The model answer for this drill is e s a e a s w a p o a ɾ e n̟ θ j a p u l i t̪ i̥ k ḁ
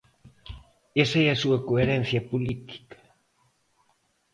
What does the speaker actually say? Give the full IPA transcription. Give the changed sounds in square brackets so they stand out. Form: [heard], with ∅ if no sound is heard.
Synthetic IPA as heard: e s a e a s [u] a [k] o [e] ɾ e n̟ θ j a p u l i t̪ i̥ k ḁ